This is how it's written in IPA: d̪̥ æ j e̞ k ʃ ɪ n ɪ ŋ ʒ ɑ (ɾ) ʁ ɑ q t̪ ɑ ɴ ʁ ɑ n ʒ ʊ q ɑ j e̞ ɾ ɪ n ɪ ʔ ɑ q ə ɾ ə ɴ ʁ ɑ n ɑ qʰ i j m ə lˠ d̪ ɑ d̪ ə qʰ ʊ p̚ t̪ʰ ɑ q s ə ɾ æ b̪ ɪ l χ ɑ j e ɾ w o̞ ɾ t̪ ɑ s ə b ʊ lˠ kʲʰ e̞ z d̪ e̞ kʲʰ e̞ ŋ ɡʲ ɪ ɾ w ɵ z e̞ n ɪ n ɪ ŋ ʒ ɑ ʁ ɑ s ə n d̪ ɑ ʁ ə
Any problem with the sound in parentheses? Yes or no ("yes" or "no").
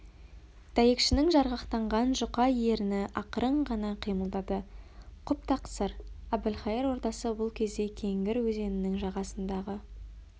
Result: no